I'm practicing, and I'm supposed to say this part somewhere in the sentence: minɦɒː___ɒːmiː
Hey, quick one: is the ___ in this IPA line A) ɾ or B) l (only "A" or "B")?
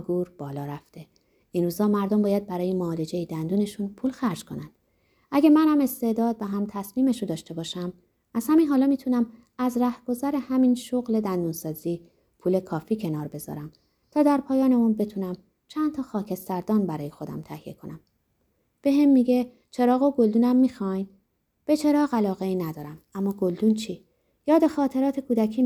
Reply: B